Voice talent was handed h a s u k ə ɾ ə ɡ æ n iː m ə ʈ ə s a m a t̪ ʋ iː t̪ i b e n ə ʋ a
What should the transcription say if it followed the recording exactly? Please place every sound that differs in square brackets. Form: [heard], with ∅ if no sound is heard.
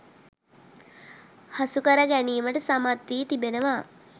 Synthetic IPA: h a s u k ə ɾ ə ɡ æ n iː m ə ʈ ə s a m a t̪ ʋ iː t̪ i b e n ə ʋ a